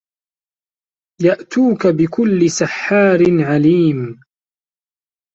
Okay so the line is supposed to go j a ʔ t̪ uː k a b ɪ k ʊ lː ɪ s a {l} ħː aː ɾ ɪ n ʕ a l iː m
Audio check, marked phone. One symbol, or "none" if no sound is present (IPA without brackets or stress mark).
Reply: none